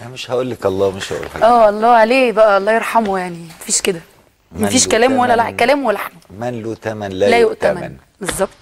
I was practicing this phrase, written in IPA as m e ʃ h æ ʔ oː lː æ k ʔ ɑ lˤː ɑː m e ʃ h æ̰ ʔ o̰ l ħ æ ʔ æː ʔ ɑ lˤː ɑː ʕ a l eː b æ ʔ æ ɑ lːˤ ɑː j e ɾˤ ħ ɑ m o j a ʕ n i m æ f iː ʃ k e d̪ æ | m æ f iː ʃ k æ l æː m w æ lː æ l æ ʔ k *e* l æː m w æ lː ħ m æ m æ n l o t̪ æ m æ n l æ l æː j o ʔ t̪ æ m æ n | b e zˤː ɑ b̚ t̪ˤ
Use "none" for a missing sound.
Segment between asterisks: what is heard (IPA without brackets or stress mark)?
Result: æ